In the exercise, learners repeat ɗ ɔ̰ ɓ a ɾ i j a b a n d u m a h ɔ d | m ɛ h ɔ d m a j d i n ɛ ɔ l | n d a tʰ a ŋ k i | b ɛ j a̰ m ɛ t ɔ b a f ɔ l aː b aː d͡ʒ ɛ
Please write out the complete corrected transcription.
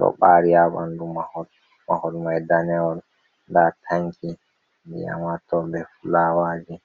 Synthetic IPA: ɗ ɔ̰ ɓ a ɾ i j a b a n d u m a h ɔ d | m a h ɔ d m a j d a n ɛ ɔ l | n d a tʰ a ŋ k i | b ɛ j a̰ m a t ɔ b ɛ f u l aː w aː d͡ʒ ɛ